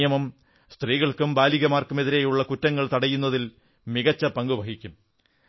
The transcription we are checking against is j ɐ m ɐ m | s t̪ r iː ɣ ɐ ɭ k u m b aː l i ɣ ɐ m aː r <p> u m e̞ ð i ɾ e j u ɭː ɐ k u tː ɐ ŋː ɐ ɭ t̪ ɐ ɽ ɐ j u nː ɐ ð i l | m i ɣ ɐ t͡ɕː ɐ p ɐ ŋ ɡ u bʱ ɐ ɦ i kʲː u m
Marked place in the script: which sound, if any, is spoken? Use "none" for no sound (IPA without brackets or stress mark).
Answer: k